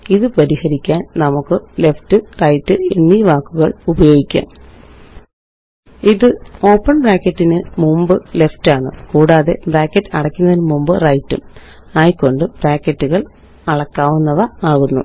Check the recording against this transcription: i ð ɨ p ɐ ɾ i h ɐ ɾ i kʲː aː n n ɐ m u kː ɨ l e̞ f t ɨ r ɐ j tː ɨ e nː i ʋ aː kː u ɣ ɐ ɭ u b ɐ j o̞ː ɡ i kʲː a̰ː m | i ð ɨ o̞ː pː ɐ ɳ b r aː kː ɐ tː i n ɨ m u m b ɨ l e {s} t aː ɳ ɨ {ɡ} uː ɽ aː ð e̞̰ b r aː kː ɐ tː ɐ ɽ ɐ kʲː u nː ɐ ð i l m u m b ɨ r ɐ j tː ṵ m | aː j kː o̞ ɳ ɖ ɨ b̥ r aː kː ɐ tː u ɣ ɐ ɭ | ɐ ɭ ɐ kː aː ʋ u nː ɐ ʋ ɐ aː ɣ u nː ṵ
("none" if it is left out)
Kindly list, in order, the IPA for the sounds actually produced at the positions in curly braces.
f, k

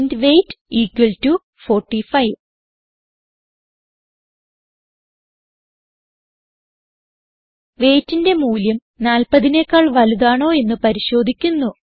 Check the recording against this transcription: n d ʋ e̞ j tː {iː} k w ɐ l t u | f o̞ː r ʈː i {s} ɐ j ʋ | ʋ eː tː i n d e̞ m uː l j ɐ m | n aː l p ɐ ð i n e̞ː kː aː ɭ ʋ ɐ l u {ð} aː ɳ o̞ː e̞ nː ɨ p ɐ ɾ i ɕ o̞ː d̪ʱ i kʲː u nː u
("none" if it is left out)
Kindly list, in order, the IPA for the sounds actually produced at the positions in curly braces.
iː, f, ð

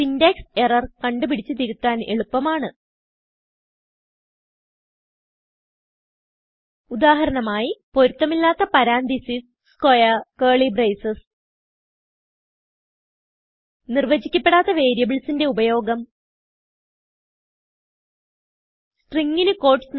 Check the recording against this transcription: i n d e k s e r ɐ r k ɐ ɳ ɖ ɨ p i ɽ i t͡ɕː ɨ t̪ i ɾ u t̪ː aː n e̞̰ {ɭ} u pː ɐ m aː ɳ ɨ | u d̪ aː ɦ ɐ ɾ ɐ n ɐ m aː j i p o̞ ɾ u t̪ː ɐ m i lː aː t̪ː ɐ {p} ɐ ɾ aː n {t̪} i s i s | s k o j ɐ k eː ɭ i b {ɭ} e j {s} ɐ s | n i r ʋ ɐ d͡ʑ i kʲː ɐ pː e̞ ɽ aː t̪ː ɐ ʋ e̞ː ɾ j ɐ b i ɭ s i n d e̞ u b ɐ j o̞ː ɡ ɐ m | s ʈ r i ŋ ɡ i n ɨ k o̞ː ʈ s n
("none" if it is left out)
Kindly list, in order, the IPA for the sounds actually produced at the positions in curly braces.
ɭ, p, d̪, r, s

